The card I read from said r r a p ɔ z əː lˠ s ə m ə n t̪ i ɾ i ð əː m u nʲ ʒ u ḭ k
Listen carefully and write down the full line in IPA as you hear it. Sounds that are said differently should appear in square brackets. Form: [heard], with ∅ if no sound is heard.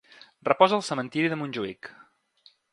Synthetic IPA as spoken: r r [ə] p ɔ z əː lˠ s ə m ə n t̪ i ɾ i ð [ə] m u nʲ ʒ u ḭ k